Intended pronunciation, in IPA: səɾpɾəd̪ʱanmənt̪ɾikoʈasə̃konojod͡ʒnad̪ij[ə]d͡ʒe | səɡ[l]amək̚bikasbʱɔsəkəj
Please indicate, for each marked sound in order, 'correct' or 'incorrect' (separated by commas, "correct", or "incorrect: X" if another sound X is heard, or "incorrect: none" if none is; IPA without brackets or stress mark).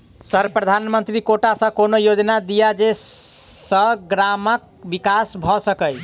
incorrect: a, incorrect: ɾ